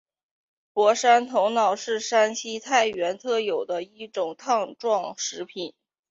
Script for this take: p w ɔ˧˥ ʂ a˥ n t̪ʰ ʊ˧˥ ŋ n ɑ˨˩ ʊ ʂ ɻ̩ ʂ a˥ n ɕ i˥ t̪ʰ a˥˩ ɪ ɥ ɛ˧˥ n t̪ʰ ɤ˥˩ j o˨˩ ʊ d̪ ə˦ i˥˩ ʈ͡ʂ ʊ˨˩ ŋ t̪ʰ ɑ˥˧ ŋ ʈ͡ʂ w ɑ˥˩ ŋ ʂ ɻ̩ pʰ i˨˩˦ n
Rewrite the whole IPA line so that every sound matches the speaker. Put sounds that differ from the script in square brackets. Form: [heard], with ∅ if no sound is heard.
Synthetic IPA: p w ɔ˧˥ ʂ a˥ n t̪ʰ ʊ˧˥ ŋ n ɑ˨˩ ʊ ʂ ɻ̩ ʂ a˥ n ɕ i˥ t̪ʰ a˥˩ ɪ ɥ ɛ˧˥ n t̪ʰ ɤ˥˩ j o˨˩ ʊ d̪ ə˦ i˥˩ ʈ͡ʂ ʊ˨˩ ŋ t̪ʰ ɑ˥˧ ŋ ʈ͡ʂ w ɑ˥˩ ŋ ʂ ɻ̩ pʰ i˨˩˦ n